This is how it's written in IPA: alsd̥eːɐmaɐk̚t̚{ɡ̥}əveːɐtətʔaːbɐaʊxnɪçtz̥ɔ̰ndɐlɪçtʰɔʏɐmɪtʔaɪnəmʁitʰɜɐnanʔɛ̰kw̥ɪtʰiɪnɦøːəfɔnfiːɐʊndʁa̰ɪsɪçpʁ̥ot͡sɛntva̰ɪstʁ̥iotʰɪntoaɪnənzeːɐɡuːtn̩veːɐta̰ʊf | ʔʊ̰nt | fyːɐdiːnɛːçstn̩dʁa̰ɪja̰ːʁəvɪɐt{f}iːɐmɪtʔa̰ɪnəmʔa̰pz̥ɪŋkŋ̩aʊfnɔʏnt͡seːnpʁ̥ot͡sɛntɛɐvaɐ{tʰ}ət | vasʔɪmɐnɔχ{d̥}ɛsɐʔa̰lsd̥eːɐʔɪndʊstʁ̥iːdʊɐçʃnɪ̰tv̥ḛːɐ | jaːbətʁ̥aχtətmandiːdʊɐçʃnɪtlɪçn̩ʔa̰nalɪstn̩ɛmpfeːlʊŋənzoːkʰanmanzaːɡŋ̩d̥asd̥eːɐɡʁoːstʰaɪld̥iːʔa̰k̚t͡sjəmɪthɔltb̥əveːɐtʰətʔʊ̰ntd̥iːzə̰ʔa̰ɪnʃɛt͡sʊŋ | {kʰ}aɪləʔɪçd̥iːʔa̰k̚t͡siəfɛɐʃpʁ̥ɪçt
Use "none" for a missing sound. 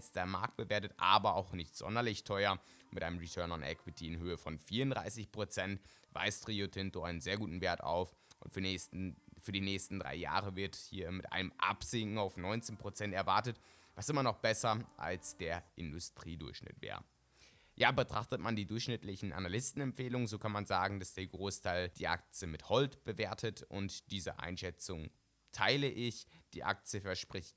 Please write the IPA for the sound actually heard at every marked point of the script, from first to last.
b̥, h, t, b̥, tʰ

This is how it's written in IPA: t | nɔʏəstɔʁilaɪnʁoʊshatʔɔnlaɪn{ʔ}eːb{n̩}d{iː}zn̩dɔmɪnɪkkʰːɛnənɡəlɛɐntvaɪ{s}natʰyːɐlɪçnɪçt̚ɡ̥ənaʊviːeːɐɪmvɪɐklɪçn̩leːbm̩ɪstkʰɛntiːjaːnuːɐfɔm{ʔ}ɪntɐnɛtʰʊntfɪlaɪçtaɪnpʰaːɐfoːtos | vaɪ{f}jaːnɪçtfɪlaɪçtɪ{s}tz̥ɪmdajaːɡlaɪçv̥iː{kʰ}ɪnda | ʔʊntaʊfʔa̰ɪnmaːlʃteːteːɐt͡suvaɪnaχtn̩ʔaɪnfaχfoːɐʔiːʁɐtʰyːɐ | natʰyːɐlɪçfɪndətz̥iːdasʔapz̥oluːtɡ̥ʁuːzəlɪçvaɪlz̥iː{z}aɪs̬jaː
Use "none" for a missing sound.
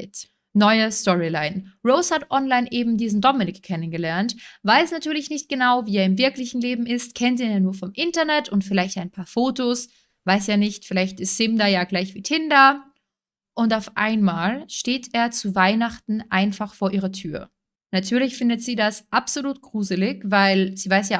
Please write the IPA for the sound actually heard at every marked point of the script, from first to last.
ʔ, m̩, iː, s, ʔ, s, s, tʰ, v

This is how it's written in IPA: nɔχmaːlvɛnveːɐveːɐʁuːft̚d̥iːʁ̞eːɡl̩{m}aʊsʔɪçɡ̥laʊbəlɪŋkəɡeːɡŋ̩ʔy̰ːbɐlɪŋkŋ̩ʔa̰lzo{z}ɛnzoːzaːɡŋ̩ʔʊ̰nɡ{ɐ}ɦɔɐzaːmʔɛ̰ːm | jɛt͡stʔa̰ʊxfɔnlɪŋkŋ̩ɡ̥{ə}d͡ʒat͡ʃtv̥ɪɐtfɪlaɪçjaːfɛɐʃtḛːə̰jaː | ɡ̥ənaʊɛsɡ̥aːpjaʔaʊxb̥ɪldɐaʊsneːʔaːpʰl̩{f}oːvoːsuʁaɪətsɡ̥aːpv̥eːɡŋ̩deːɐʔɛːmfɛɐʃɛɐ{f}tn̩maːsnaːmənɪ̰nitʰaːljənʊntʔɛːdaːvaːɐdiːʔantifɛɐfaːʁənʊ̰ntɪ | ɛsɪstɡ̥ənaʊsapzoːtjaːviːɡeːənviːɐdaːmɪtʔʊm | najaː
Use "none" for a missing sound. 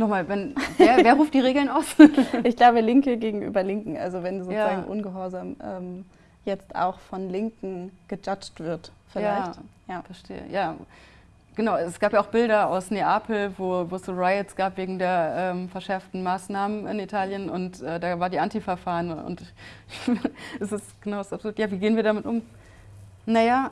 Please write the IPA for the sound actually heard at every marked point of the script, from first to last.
n, v, ə, ə, v, f

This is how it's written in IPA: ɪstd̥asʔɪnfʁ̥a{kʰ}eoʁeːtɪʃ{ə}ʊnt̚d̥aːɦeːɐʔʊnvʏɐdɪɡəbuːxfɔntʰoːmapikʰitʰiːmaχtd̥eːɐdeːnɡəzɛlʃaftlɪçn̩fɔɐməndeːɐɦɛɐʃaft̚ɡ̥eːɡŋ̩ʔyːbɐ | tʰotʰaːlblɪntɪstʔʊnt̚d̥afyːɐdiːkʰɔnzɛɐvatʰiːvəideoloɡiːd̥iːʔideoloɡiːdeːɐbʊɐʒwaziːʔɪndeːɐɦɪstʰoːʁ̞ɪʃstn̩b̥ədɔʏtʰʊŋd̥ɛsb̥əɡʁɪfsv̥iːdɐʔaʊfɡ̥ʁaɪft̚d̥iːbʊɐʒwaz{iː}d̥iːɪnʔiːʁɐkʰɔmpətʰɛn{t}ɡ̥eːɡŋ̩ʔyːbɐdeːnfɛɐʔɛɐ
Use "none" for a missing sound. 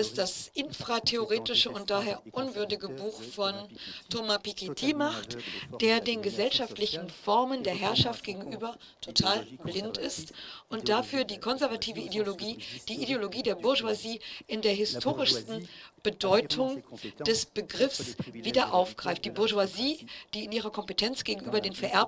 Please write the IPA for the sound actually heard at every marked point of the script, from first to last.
tʰ, ə, iː, t͡s

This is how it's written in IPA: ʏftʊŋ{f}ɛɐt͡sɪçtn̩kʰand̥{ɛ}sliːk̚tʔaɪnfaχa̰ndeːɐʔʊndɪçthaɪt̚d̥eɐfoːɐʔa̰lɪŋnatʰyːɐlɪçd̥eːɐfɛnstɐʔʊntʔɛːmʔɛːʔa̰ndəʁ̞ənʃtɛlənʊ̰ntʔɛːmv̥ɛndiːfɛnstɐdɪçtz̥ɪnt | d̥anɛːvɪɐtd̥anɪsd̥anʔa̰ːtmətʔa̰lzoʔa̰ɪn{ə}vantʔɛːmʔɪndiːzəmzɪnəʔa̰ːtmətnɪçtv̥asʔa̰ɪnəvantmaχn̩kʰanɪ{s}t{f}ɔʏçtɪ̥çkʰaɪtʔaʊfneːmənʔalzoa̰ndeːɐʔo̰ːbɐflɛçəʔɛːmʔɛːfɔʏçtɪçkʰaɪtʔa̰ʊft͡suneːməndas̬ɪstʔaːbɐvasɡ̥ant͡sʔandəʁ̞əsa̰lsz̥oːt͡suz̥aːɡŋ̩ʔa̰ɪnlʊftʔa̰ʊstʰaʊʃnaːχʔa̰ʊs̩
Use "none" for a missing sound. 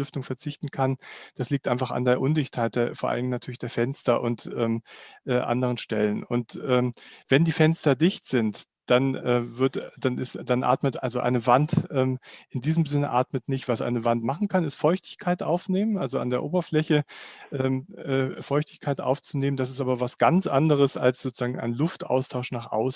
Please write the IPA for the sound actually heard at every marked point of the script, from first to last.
f, a, ə, s, f

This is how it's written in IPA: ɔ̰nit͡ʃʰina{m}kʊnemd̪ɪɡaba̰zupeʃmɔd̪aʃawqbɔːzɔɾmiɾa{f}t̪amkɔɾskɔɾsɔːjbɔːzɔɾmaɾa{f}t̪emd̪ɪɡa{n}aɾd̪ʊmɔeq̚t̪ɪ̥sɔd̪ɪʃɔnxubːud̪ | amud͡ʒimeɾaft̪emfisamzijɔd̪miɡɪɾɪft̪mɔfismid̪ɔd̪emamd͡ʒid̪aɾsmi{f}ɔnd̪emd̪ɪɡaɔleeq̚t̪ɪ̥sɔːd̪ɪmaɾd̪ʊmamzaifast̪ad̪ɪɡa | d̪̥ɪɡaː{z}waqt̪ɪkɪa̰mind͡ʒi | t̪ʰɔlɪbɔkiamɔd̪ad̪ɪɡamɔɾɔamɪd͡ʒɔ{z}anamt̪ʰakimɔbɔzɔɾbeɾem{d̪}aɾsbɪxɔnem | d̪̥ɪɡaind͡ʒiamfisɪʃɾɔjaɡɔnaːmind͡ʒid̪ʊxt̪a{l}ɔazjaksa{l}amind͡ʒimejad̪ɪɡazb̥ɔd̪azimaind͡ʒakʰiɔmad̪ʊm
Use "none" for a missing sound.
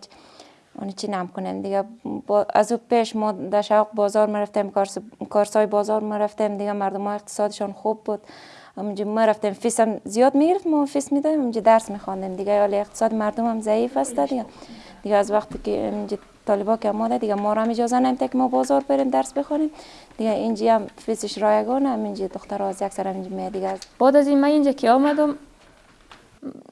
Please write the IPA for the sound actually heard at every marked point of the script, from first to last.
m, f, f, m, x, z, z, d̪, ɾ, ɾ

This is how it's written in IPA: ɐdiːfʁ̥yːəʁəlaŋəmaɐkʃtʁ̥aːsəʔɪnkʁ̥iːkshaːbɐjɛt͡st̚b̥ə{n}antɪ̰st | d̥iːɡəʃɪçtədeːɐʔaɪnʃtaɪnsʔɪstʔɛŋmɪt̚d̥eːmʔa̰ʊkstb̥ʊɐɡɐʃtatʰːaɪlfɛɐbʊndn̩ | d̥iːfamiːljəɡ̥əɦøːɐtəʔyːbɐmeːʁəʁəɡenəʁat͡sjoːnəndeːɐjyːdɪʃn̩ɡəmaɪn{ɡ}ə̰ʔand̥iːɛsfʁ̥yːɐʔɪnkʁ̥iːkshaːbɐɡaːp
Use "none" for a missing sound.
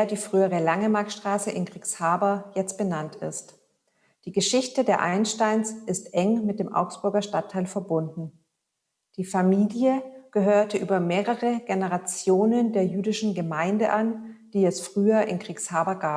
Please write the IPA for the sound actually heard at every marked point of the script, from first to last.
n, d

